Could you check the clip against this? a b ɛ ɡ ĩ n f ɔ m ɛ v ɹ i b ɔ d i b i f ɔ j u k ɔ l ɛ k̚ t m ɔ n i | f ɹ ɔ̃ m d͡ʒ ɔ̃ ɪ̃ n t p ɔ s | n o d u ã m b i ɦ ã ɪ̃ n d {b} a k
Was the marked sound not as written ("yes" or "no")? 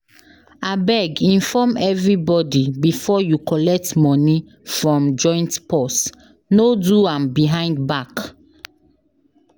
no